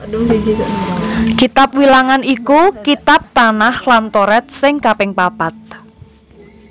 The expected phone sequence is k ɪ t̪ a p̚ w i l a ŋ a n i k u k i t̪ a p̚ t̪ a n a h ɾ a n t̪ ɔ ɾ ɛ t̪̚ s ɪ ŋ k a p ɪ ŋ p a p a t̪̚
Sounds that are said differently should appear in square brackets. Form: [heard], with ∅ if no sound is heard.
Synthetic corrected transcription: k [i] t̪ a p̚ w i l a ŋ a n i k u k i t̪ a p̚ t̪ a n a h [l] a n t̪ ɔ ɾ ɛ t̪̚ s ɪ ŋ k a p ɪ ŋ p a p a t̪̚

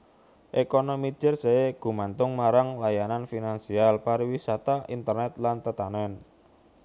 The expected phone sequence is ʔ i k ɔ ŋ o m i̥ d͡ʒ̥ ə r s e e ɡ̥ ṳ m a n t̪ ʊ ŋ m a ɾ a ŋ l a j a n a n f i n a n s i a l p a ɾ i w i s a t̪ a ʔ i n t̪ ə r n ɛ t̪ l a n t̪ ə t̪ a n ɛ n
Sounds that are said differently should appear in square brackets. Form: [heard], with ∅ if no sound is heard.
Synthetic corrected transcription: ʔ [e] k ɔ [n] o m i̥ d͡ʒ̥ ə r s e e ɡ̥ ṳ m a n t̪ ʊ ŋ m a ɾ a ŋ l a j a n a n f i n a n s i a l p a ɾ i w i s a t̪ a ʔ i n t̪ ə r n ɛ t̪ l a n t̪ ə t̪ a n ɛ n

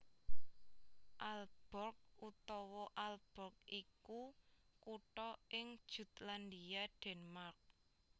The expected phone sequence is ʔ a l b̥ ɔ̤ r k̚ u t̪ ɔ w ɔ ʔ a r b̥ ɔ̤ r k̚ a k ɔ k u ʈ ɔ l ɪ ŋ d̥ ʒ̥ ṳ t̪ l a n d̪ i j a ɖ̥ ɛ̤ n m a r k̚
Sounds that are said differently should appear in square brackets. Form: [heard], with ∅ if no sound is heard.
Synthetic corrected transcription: ʔ a l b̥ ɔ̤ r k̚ u t̪ ɔ w ɔ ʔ a [l] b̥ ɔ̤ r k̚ [i] k [u] k u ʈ ɔ [∅] ɪ ŋ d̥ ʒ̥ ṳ t̪ l a n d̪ i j a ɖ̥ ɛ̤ n m a r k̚

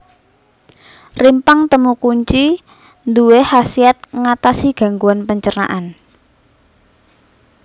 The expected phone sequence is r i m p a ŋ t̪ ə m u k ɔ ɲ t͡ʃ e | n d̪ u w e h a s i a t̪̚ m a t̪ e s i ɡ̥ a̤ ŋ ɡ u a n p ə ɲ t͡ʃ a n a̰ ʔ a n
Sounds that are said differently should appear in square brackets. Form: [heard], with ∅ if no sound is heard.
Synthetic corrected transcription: r i m p a ŋ t̪ ə m u k [u] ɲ t͡ʃ [i] | n d̪ u w e h a s i a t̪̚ [ŋ] a t̪ [a] s i ɡ̥ a̤ ŋ ɡ u a n p ə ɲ t͡ʃ [ə] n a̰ ʔ a n

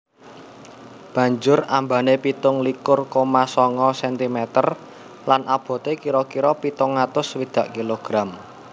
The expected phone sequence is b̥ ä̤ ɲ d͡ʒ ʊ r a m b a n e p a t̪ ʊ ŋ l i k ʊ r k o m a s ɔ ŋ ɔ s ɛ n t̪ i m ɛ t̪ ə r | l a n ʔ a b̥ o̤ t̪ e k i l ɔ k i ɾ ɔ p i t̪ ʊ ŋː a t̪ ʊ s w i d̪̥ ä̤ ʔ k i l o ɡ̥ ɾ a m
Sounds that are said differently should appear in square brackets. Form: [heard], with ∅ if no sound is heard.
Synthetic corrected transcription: b̥ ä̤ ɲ d͡ʒ ʊ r a m b a n e p [i] t̪ ʊ ŋ l i k ʊ r k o m a s ɔ ŋ ɔ s ɛ n t̪ i m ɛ t̪ ə r | l a n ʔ a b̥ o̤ t̪ e k i [ɾ] ɔ k i ɾ ɔ p i t̪ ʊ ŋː a t̪ ʊ s w i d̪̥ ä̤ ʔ k i l o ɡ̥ ɾ a m

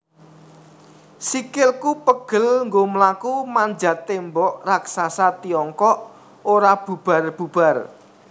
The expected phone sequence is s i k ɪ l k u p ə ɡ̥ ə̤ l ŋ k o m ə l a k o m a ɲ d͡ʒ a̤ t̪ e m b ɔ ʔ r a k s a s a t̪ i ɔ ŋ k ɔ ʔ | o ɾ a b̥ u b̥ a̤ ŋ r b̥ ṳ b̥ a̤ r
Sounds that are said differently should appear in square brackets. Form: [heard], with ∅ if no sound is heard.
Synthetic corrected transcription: s i k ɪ l k u p ə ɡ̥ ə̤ l ŋ [ɡ] o m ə l a k [u] m a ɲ d͡ʒ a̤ t̪ e m b ɔ ʔ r a k s a s a t̪ i ɔ ŋ k ɔ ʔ | o ɾ a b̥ u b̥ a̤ [∅] r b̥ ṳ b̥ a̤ r

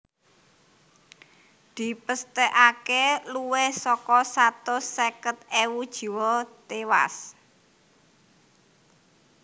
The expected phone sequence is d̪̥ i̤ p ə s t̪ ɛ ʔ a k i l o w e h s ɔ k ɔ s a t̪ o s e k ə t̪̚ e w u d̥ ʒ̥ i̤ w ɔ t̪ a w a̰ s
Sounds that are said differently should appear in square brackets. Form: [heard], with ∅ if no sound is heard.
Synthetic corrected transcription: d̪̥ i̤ p ə s t̪ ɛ ʔ a k [e] l [u] w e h s ɔ k ɔ s a t̪ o s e k ə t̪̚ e w u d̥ ʒ̥ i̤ w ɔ t̪ [e] w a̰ s

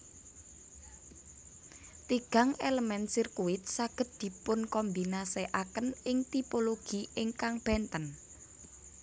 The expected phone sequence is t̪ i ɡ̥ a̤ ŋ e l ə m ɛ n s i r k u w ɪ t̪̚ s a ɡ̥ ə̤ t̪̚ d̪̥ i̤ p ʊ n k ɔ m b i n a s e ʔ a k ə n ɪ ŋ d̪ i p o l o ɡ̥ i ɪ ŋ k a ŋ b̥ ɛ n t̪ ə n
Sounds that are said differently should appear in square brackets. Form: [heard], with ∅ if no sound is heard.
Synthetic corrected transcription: t̪ i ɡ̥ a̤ ŋ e l ə m ɛ n s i r k u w ɪ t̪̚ s a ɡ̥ ə̤ t̪̚ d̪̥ i̤ p ʊ n k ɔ m b i n a s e ʔ a k ə n ɪ ŋ [t̪] i p o l o ɡ̥ i ɪ ŋ k a ŋ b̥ ɛ n t̪ ə n

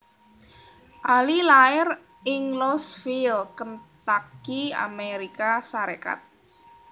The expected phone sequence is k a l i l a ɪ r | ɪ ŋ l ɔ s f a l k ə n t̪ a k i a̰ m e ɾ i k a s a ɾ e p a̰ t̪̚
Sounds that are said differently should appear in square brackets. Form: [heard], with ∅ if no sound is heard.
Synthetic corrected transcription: [ʔ] a l i l a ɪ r | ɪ ŋ l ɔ s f [i] l k ə n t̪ a k i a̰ m e ɾ i k a s a ɾ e [k] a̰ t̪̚

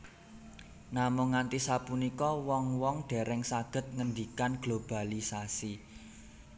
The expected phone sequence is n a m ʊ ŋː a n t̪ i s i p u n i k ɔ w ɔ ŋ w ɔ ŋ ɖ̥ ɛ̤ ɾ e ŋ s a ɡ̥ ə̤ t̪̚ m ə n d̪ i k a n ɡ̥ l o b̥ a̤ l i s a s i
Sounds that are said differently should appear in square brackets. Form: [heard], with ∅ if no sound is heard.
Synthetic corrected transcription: n a m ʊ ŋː a n t̪ i s [a] p u n i k ɔ w ɔ ŋ w ɔ ŋ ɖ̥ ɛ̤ ɾ [ɛ] ŋ s a ɡ̥ ə̤ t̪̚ [ŋ] ə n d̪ i k a n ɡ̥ l o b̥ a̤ l i s a s i

